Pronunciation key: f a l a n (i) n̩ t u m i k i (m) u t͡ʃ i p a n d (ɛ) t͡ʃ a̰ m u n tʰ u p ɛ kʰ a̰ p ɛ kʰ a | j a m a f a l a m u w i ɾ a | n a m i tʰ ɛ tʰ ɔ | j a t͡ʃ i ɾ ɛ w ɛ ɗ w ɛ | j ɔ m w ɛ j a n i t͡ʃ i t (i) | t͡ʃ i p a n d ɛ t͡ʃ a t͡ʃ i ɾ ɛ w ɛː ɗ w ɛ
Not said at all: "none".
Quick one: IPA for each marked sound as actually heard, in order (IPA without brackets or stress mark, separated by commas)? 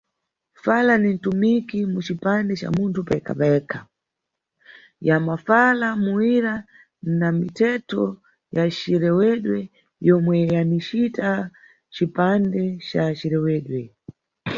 i, m, ɛ, a